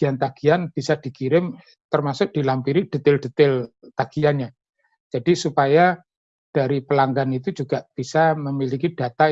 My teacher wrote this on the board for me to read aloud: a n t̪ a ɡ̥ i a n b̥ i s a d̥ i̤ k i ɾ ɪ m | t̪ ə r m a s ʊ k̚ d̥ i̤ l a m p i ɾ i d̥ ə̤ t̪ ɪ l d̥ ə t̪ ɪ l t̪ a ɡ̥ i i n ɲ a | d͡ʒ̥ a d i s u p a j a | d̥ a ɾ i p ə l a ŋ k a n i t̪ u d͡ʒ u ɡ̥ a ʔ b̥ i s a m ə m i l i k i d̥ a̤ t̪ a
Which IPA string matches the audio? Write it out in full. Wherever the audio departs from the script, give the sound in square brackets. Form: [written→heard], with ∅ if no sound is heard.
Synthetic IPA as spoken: a n t̪ a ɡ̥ i a n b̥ i s a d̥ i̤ k i ɾ ɪ m | t̪ ə r m a s ʊ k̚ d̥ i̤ l a m p i ɾ i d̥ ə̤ t̪ ɪ l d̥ ə t̪ ɪ l t̪ a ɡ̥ i [i→a] n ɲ a | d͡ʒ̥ a d i s u p a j a | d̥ a ɾ i p ə l a ŋ [k→ɡ] a n i t̪ u d͡ʒ u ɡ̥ a ʔ b̥ i s a m ə m i l i k i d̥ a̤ t̪ a